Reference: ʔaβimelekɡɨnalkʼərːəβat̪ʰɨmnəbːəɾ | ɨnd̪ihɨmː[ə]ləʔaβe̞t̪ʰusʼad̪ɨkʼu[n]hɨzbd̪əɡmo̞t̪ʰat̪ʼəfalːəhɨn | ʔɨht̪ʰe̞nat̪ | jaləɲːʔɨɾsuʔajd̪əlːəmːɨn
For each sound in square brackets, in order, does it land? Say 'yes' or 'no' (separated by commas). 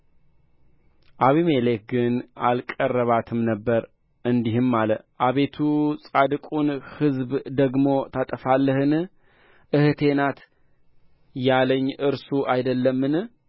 no, yes